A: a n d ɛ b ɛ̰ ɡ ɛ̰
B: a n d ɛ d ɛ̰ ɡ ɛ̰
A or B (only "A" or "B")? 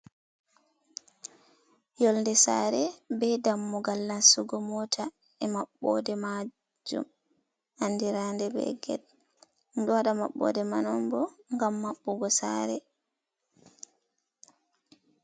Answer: A